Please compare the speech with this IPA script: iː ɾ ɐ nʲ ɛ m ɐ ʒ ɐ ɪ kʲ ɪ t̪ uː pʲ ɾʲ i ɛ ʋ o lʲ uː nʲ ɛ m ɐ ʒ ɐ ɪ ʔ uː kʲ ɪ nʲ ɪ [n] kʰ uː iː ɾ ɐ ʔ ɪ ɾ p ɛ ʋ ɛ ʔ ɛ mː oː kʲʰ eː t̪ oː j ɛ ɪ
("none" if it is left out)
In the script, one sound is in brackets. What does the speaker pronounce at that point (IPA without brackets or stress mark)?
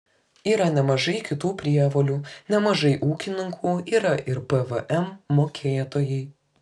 ŋ